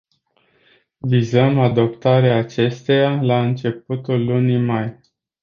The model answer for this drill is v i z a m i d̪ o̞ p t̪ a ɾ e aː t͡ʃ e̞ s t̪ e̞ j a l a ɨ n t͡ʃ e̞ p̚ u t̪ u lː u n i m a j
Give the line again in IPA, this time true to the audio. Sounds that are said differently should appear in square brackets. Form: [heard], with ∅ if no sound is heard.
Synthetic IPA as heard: v i z [ə] m [a] d̪ o̞ p t̪ a ɾ e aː t͡ʃ e̞ s t̪ e̞ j a l a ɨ n t͡ʃ e̞ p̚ u t̪ u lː u n i m a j

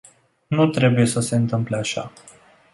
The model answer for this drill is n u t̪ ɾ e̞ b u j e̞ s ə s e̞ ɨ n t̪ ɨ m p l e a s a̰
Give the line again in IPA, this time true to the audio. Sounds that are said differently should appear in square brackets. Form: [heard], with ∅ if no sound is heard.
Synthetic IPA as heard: n u t̪ ɾ e̞ b u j e̞ s ə s e̞ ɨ n t̪ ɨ m p l e a [ʃ] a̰

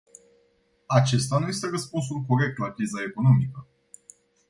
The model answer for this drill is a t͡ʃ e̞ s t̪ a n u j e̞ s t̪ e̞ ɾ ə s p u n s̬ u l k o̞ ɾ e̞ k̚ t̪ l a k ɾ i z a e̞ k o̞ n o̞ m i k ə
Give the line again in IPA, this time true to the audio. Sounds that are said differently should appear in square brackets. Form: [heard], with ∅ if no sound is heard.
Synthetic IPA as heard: a t͡ʃ e̞ s t̪ a n u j e̞ s t̪ e̞ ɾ ə s p u n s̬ u l k o̞ ɾ e̞ k̚ t̪ l a k ɾ i z a e̞ k o̞ n o̞ m i k ə

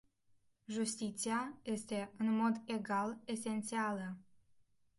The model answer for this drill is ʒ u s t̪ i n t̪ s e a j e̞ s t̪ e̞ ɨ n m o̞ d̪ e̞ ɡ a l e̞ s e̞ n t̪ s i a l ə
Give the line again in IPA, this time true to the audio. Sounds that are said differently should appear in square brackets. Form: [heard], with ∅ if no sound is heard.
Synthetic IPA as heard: ʒ u s t̪ i [∅] t̪ s [i] a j e̞ s t̪ e̞ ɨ n m o̞ d̪ e̞ ɡ a l e̞ s e̞ n t̪ s i a l ə

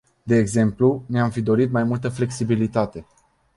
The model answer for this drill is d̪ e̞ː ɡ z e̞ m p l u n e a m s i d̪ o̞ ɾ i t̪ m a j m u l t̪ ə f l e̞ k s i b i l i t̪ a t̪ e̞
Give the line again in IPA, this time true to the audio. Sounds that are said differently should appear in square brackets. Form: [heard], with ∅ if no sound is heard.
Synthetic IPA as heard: d̪ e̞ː ɡ z e̞ m p l u n e a m [f] i d̪ o̞ ɾ i t̪ m a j m u l t̪ ə f l e̞ k s i b i l i t̪ a t̪ e̞

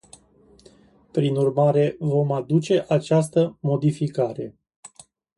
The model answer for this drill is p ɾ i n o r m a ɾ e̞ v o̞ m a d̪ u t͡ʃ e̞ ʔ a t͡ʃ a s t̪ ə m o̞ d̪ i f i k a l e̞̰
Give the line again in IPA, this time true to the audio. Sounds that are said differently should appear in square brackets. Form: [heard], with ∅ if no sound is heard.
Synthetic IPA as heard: p ɾ i n [u] r m a ɾ e̞ v o̞ m a d̪ u t͡ʃ e̞ ʔ a t͡ʃ a s t̪ ə m o̞ d̪ i f i k a [ɾ] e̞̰

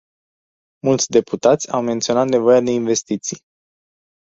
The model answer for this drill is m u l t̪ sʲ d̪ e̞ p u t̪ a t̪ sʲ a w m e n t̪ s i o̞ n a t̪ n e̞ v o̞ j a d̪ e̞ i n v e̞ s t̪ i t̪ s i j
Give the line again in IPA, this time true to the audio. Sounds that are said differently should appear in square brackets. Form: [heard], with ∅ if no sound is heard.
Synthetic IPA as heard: m u l t̪ sʲ d̪ e̞ p u t̪ a t̪ sʲ a w m e n t̪ s i o̞ n a t̪ n e̞ v o̞ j a d̪ e̞ i n v e̞ s t̪ i t̪ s i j

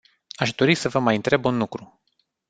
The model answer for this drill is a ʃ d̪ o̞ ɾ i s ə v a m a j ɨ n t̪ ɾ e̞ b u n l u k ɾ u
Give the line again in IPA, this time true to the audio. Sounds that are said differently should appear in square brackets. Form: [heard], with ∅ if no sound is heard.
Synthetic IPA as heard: a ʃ d̪ o̞ ɾ i s ə v [ə] m a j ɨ n t̪ ɾ e̞ b u n l u k ɾ u

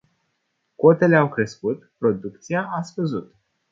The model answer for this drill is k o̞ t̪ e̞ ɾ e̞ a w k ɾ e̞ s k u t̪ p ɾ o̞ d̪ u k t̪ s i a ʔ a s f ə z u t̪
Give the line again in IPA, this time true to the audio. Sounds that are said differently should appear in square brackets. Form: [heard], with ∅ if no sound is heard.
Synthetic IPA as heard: k o̞ t̪ e̞ [l] e̞ a w k ɾ e̞ s k u t̪ p ɾ o̞ d̪ u k t̪ s i a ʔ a s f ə z u t̪

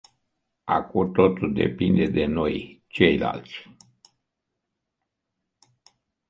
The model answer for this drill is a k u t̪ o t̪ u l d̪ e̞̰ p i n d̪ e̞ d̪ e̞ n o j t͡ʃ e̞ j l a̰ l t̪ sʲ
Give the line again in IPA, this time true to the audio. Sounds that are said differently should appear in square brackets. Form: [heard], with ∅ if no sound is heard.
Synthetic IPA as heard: a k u t̪ o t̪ u l d̪ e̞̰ p i n d̪ e̞ d̪ e̞ n o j t͡ʃ e̞ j l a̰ l t̪ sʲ

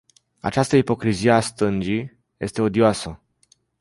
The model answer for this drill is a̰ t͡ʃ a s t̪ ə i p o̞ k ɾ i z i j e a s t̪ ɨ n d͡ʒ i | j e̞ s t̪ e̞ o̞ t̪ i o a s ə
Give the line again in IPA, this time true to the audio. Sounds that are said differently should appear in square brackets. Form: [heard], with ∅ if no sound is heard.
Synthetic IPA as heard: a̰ t͡ʃ a s t̪ ə i p o̞ k ɾ i z i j e a s t̪ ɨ n d͡ʒ i | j e̞ s t̪ e̞ o̞ [d̪] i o a s ə

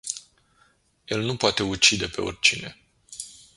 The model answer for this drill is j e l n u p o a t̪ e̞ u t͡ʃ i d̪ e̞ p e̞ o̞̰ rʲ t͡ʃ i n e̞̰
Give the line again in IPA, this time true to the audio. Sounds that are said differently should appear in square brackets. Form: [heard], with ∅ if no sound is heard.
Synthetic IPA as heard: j e l n u p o a t̪ e̞ u t͡ʃ i d̪ e̞ p e̞ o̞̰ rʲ t͡ʃ i n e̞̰

